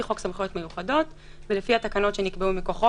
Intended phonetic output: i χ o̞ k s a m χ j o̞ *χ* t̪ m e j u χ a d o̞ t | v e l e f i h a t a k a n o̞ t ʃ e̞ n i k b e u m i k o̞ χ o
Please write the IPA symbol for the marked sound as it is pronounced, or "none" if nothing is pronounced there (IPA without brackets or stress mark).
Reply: none